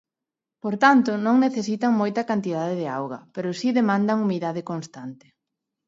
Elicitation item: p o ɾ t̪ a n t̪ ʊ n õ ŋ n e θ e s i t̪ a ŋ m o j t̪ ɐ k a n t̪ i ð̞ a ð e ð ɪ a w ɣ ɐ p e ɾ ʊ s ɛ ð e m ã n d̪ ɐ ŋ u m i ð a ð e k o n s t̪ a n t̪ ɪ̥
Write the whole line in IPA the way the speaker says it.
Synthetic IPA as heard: p o ɾ t̪ a n t̪ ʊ n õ ŋ n e θ e s i t̪ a ŋ m o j t̪ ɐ k a n t̪ i ð̞ a ð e ð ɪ a w ɣ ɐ p e ɾ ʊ s i ð e m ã n d̪ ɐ ŋ u m i ð a ð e k o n s t̪ a n t̪ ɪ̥